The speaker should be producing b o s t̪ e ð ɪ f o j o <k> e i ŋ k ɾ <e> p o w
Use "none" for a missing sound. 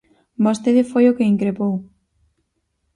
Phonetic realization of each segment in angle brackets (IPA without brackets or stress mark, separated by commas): k, e